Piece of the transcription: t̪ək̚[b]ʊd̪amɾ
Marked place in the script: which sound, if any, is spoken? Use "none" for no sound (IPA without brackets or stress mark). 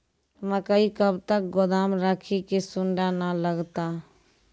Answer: ɡ